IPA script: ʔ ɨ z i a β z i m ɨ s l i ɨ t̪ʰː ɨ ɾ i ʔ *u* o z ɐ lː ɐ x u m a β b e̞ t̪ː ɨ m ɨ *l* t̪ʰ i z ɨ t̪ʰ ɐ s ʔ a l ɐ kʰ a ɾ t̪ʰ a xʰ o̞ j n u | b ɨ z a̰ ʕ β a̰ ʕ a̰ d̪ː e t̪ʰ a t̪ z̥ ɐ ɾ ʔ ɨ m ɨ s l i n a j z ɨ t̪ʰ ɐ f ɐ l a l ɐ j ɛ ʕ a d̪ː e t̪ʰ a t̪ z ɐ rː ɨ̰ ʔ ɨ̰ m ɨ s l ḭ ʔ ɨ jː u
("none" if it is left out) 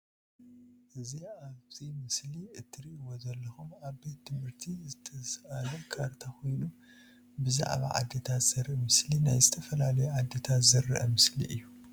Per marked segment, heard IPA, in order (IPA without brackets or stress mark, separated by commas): w, ɾ